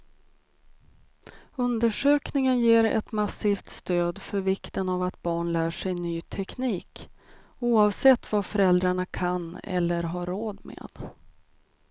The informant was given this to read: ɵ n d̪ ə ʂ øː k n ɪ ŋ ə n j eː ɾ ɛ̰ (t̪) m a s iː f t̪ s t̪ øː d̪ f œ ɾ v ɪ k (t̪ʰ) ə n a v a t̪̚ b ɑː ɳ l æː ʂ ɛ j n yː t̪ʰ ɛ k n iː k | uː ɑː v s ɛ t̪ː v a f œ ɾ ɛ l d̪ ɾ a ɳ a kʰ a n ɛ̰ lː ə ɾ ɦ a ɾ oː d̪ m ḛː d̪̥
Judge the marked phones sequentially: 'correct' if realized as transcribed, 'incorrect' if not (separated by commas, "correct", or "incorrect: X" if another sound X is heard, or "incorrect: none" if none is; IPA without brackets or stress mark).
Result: correct, incorrect: t̪